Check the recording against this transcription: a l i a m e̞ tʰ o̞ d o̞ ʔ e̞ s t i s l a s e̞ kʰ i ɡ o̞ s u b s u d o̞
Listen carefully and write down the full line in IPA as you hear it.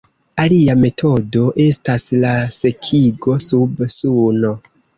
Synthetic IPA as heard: a l i a m e̞ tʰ o̞ d o̞ ʔ e̞ s t a s l a s e̞ kʰ i ɡ o̞ s u b s u n o̞